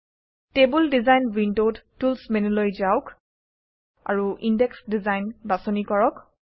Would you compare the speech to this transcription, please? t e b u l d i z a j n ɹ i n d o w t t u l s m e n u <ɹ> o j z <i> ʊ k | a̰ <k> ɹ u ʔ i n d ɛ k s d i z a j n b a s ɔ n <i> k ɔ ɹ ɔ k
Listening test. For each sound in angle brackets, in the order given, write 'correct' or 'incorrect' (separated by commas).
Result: incorrect, incorrect, incorrect, correct